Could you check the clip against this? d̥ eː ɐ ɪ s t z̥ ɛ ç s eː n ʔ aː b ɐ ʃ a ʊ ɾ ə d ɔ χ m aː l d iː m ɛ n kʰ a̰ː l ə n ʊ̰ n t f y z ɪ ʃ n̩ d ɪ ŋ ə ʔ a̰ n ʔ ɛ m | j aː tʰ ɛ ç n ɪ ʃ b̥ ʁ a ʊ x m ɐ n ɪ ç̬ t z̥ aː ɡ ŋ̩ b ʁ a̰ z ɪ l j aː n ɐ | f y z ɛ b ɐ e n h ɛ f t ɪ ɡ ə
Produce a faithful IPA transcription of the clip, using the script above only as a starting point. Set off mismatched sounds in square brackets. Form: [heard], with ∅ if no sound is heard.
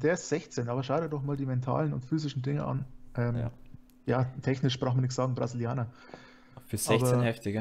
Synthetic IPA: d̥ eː ɐ ɪ s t z̥ ɛ ç [t͡s] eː n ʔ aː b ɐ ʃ a ʊ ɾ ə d ɔ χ m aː l d iː m ɛ n [tʰ] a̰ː l ə n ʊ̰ n t f [yː] z ɪ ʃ n̩ d ɪ ŋ ə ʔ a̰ n ʔ ɛ m | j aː tʰ ɛ ç n ɪ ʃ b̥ ʁ a ʊ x m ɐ n ɪ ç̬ t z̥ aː ɡ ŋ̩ b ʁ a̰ z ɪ l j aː n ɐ | f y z ɛ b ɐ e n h ɛ f t ɪ ɡ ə